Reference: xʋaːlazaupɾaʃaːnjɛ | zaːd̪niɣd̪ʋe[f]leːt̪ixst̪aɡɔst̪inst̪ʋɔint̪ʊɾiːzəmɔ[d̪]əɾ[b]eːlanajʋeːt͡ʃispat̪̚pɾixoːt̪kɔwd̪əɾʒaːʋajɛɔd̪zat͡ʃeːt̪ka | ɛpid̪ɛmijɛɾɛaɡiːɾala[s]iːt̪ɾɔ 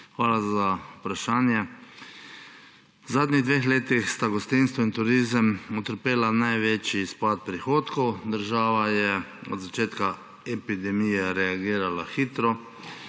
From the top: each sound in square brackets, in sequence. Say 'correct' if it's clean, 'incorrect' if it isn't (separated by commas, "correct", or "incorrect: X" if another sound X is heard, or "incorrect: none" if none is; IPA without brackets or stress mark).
incorrect: x, incorrect: t̪, incorrect: p, incorrect: x